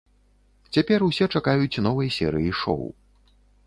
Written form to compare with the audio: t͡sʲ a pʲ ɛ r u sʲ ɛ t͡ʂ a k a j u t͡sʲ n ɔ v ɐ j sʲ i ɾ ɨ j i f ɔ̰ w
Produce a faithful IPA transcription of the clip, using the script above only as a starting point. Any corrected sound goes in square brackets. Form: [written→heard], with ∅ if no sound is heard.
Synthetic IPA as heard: t͡sʲ a pʲ ɛ r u sʲ ɛ t͡ʂ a k a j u t͡sʲ n ɔ v ɐ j sʲ [i→ɛ] ɾ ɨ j i [f→ʂ] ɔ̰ w